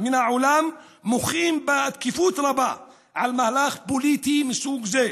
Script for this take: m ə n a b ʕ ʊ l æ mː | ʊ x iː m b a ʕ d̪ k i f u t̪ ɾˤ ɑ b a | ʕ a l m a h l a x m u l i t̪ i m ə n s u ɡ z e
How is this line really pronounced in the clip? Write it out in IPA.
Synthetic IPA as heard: m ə n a ʕ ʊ l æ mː | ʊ x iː m b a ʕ d̪ k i f u t̪ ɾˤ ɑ b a | ʕ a l m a h l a x b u l i t̪ i m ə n s u ɡ z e